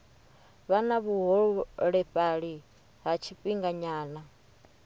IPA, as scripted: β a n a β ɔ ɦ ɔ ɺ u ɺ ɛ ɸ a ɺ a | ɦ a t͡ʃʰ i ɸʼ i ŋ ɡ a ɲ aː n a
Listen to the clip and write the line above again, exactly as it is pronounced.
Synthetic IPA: β a n a β u ɦ ɔ ɺ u ɺ ɛ ɸ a ɺ i | ɦ a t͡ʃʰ i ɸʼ i ŋ ɡ a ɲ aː n a

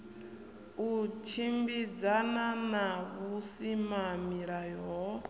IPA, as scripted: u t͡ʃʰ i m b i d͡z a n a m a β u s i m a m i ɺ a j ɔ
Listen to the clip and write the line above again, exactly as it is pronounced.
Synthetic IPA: u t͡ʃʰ i m b i d͡z a n a n a β u s i m a m i ɺ a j ɔ

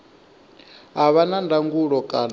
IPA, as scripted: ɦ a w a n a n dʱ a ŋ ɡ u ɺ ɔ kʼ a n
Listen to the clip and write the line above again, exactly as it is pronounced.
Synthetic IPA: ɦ a β a n a n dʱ a ŋ ɡ u ɺ ɔ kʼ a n

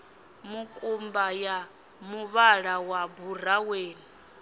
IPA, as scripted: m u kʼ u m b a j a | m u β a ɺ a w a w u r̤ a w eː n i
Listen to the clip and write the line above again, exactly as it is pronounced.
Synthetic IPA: m u kʼ u m b a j a | m u β a ɺ a w a b u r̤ a w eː n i

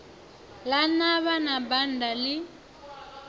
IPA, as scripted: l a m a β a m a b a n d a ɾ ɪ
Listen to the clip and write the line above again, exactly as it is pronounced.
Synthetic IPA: l a n a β a n a b a n d a l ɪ

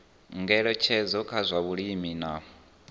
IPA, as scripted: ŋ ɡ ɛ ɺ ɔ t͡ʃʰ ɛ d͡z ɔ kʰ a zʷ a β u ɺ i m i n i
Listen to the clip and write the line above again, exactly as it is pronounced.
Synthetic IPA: ŋ ɡ ɛ ɺ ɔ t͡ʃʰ ɛ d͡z ɔ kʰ a zʷ a β u ɺ i m i n a

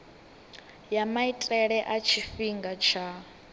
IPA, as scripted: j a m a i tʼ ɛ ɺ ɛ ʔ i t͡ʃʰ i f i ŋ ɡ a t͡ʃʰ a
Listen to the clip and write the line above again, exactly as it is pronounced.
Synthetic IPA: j a m a i tʼ ɛ ɺ ɛ ʔ a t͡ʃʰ i f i ŋ ɡ a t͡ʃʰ a

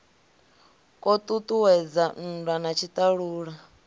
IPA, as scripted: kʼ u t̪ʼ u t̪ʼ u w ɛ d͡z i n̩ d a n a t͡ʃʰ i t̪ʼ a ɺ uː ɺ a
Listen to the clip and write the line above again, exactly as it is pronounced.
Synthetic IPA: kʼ ɔ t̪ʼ u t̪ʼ u w ɛ d͡z a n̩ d a n a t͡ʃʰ i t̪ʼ a ɺ uː ɺ a

